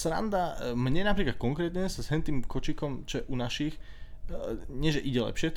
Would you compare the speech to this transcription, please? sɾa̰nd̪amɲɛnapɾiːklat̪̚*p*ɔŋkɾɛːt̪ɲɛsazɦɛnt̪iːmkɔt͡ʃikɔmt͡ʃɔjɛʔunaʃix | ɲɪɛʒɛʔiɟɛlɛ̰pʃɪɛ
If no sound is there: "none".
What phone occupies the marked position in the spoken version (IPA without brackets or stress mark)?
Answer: k